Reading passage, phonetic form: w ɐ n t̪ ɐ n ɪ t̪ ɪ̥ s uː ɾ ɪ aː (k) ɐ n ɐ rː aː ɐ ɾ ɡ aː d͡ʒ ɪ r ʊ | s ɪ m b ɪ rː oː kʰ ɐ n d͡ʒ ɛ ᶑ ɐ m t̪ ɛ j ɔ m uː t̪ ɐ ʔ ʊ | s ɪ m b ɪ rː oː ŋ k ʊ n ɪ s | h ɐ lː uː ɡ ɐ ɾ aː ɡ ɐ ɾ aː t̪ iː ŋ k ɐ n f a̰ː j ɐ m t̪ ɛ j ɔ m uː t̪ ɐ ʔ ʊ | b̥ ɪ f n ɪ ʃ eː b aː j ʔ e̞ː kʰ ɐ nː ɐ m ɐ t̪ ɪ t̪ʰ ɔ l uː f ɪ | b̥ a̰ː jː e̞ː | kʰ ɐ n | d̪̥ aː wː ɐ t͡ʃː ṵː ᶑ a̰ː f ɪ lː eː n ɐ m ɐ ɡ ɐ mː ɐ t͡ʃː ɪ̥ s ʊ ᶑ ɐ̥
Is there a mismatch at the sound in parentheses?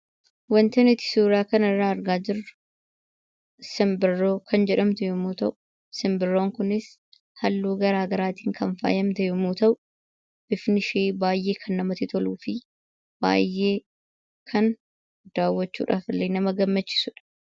no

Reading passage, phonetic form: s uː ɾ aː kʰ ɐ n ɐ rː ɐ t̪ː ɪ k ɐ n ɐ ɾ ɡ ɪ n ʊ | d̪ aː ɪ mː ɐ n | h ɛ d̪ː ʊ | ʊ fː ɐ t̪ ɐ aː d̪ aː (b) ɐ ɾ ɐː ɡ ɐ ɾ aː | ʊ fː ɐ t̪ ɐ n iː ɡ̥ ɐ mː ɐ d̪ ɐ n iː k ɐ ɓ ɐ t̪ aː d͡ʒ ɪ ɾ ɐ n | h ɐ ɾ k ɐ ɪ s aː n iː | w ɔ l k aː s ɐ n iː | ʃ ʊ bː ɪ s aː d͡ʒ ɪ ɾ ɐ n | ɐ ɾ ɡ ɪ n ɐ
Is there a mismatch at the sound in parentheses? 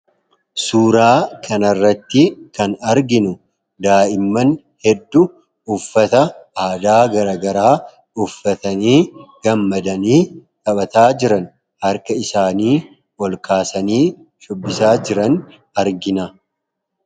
yes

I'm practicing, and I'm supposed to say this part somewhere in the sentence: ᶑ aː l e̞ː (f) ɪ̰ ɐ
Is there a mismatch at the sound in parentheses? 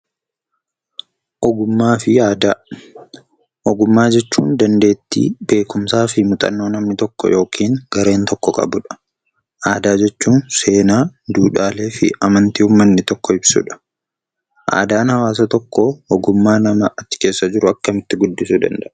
no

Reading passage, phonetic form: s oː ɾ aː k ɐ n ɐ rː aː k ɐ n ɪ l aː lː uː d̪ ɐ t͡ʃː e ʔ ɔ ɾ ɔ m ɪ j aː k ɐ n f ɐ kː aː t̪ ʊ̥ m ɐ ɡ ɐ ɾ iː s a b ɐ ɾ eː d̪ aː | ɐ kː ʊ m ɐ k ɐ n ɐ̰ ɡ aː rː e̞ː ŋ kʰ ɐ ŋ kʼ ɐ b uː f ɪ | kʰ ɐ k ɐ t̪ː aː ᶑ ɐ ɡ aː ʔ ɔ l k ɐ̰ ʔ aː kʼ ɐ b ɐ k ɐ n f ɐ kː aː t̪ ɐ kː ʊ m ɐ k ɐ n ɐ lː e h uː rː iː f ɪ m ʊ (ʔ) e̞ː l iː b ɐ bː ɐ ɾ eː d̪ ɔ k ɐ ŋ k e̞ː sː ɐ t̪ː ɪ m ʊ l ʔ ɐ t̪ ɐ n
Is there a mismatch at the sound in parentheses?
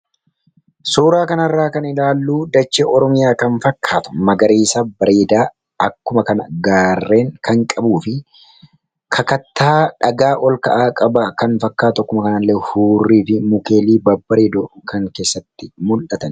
yes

